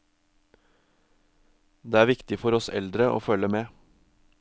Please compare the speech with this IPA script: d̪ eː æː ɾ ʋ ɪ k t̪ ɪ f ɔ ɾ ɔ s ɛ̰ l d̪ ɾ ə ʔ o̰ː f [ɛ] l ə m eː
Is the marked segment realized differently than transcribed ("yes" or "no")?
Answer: yes